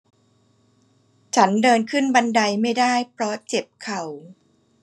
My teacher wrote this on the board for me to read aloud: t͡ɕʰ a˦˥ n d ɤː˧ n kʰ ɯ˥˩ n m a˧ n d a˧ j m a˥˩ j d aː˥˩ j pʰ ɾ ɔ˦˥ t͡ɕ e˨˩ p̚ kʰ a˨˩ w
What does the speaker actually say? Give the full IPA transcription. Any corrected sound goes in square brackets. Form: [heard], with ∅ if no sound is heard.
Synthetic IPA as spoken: t͡ɕʰ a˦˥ n d ɤː˧ n kʰ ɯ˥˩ n [b] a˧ n d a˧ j m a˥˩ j d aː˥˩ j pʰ ɾ ɔ˦˥ t͡ɕ e˨˩ p̚ kʰ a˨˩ w